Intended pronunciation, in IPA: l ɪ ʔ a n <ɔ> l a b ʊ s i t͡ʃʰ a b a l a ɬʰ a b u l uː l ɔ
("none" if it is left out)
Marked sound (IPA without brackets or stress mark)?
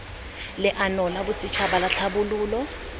ɔ